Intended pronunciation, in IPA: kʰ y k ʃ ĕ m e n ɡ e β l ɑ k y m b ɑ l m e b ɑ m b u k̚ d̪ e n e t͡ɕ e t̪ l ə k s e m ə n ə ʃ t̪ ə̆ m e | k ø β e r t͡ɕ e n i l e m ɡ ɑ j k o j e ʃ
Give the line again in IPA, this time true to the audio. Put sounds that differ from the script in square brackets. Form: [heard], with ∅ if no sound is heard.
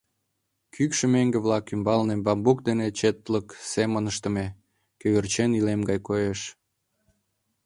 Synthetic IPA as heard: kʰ y k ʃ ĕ m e [ŋ] ɡ e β l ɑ k y m b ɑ l [n] e b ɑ m b u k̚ d̪ e n e t͡ɕ e t̪ l ə k s e m ə n ə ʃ t̪ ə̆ m e | k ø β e r t͡ɕ e n i l e m ɡ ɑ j k o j e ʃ